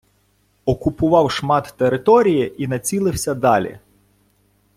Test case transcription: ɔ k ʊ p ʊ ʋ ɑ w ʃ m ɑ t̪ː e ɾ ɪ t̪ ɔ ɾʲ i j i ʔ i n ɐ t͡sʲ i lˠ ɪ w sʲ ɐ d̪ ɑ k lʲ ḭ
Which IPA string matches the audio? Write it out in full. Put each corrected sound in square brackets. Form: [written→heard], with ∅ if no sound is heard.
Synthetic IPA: ɔ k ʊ p ʊ ʋ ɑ w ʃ m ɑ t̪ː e ɾ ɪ t̪ ɔ ɾʲ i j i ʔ i n ɐ t͡sʲ i lˠ ɪ w sʲ ɐ d̪ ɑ [k→∅] lʲ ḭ

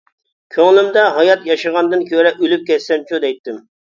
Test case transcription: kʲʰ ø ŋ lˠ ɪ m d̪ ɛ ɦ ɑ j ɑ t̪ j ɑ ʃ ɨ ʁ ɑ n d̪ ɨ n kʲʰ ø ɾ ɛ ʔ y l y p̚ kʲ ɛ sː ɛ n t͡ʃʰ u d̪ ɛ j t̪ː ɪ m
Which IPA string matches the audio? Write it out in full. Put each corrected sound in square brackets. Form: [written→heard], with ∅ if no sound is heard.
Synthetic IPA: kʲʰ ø ŋ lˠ ɪ m d̪ ɛ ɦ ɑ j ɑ t̪ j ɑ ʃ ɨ ʁ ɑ n d̪ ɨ n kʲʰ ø ɾ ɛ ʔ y l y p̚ kʲ ɛ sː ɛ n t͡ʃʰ u d̪ ɛ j t̪ː ɪ m

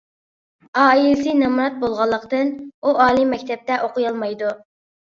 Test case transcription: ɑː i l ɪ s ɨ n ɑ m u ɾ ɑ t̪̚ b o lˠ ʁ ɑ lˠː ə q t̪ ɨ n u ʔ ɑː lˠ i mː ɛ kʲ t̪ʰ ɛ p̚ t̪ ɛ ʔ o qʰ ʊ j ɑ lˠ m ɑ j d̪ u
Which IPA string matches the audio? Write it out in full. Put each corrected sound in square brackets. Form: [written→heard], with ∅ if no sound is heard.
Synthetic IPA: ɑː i l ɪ s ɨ n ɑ m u ɾ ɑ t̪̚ b o lˠ ʁ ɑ lˠː ə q t̪ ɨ n u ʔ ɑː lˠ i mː ɛ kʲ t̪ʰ ɛ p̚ t̪ ɛ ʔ o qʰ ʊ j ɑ lˠ m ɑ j d̪ u

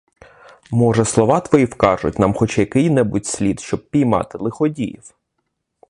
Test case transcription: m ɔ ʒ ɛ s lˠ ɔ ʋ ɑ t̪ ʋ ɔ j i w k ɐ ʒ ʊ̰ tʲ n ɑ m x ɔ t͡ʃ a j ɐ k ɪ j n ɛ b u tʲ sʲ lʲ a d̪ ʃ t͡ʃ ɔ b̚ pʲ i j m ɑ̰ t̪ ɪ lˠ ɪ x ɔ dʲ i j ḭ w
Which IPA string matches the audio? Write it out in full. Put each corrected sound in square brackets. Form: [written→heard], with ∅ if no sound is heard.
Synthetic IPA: m ɔ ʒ ɛ s lˠ ɔ ʋ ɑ t̪ ʋ ɔ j i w k [ɐ→ɑ] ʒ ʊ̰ tʲ n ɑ m x ɔ t͡ʃ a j ɐ k ɪ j n ɛ b u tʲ sʲ lʲ [a→i] d̪ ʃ t͡ʃ ɔ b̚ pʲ i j m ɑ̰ t̪ ɪ lˠ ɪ x ɔ dʲ i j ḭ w

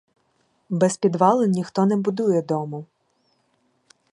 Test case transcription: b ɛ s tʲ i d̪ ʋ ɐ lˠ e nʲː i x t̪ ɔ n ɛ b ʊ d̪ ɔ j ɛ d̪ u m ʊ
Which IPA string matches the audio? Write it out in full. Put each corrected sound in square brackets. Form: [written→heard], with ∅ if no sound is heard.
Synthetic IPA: b ɛ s [tʲ→pʲ] i d̪ ʋ [ɐ→ɑ] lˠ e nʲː i x t̪ ɔ n ɛ b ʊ d̪ [ɔ→u] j ɛ d̪ [u→ɔ] m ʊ

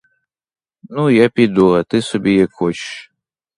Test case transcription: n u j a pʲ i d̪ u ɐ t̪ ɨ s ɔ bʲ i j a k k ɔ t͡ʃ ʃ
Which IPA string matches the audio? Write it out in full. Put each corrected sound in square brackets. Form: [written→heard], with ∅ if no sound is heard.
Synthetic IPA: n u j a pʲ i d̪ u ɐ t̪ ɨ s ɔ bʲ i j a k [k→x] ɔ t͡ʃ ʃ

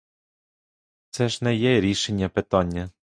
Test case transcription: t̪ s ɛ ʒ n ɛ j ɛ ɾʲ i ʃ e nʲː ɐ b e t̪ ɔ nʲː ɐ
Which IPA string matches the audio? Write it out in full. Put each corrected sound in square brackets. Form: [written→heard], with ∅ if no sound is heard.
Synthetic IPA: t̪ s ɛ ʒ n ɛ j ɛ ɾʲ i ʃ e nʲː ɐ [b→p] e t̪ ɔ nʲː ɐ

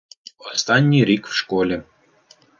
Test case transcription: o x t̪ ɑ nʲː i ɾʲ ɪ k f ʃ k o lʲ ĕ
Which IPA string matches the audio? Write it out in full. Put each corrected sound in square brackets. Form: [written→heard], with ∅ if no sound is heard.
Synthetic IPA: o [x→s] t̪ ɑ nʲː i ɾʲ [ɪ→i] k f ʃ k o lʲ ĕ

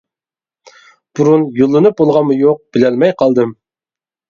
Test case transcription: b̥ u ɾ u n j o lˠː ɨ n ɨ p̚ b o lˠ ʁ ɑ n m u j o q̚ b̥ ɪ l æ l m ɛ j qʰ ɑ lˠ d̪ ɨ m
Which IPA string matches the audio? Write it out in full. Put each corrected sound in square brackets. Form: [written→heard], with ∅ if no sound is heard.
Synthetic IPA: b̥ u ɾ u n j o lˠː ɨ n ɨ p̚ b o lˠ ʁ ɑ n m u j o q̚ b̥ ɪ l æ l m ɛ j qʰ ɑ lˠ d̪ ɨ m

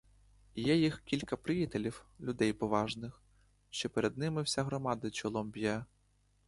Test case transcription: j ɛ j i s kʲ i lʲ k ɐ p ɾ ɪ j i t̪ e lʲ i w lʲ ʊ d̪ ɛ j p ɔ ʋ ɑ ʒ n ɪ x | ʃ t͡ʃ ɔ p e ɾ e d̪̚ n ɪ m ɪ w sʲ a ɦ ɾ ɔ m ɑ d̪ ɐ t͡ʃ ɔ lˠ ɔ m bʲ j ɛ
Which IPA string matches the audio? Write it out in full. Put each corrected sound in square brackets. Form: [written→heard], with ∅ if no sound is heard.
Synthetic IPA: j ɛ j i [s→x] kʲ i lʲ k ɐ p ɾ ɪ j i t̪ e lʲ i w lʲ ʊ d̪ ɛ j p ɔ ʋ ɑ ʒ n ɪ x | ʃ t͡ʃ ɔ p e ɾ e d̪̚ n ɪ m ɪ w sʲ a ɦ ɾ ɔ m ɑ d̪ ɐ t͡ʃ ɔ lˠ ɔ m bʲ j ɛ

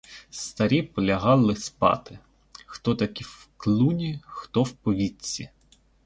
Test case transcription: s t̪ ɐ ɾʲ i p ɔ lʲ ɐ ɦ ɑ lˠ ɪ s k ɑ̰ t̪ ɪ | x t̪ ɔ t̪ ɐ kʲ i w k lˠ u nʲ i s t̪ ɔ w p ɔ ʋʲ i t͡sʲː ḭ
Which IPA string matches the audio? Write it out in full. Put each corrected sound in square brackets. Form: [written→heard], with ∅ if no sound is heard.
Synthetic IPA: s t̪ ɐ ɾʲ i p ɔ lʲ ɐ ɦ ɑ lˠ ɪ s [k→p] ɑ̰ t̪ ɪ | x t̪ ɔ t̪ ɐ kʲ i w k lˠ u nʲ i [s→x] t̪ ɔ w p ɔ ʋʲ i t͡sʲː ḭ

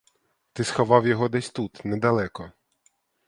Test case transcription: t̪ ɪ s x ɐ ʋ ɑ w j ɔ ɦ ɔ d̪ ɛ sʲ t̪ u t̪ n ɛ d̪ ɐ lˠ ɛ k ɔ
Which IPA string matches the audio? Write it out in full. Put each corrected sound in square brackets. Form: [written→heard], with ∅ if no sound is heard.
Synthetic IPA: t̪ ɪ s x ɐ ʋ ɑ w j ɔ ɦ ɔ d̪ ɛ sʲ t̪ u t̪ n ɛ d̪ ɐ lˠ ɛ k ɔ

